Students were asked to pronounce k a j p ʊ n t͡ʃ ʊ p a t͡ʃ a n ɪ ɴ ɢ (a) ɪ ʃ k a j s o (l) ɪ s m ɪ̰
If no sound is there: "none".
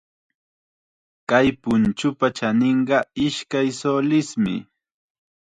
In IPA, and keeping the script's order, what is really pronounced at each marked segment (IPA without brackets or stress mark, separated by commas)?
ɑ, l